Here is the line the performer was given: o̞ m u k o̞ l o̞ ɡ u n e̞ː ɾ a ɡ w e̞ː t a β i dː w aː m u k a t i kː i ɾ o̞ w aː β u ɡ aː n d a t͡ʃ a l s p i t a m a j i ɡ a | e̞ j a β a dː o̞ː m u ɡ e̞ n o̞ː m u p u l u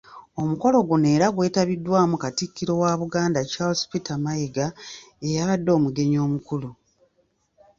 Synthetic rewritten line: o̞ m u k o̞ l o̞ ɡ u n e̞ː ɾ a ɡ w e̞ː t a β i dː w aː m u k a t i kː i ɾ o̞ w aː β u ɡ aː n d a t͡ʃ a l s p i t a m a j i ɡ a | e̞ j a β a dː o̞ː m u ɡ e̞ ɲ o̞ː m u k u l u